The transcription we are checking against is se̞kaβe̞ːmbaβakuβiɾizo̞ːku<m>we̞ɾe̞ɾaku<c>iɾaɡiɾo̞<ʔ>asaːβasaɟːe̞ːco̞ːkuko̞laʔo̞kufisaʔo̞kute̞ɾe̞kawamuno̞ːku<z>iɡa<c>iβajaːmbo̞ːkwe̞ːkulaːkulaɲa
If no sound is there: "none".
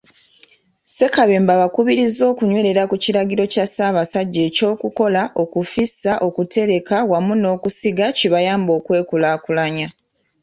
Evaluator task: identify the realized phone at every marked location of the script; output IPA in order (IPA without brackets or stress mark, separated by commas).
ɲ, c, c, s, c